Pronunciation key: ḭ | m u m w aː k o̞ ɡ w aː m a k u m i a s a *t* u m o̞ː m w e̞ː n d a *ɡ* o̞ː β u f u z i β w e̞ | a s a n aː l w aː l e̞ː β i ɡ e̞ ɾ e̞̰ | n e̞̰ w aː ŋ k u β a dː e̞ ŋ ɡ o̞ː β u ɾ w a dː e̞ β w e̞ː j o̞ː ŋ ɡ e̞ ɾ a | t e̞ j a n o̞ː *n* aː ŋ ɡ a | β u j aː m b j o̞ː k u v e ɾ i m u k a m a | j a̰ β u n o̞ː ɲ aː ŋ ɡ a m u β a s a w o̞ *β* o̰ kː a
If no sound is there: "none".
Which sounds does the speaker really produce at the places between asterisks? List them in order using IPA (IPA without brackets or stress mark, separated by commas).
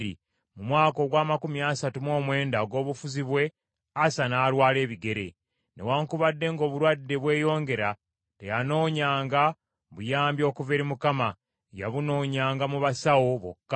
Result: t, ɡ, ɲ, β